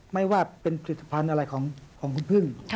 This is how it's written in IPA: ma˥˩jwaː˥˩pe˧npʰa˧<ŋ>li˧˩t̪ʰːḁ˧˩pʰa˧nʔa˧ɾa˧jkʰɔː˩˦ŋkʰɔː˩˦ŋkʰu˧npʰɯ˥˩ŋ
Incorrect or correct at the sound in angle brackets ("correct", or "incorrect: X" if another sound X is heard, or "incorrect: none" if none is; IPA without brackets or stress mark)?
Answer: incorrect: none